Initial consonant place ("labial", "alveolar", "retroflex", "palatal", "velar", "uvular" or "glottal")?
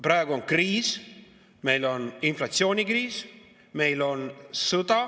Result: labial